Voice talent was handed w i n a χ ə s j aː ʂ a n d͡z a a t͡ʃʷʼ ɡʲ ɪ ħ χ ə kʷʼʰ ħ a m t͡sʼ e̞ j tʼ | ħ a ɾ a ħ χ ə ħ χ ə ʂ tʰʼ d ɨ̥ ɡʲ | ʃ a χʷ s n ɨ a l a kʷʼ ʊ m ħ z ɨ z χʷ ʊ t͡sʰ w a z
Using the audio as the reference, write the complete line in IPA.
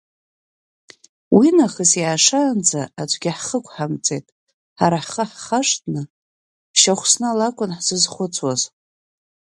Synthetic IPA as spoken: w i n a χ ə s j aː ʂ a n d͡z a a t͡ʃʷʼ ɡʲ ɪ ħ χ ə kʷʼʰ ħ a m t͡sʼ e̞ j tʼ | ħ a ɾ a ħ χ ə ħ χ a ʂ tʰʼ n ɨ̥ | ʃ a χʷ s n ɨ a l a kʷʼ ʊ n ħ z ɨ z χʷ ʊ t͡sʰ w a z